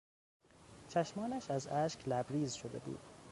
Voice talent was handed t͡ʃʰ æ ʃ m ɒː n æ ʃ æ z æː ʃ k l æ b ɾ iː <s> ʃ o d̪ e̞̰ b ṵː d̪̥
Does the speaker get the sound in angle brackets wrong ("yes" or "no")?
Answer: yes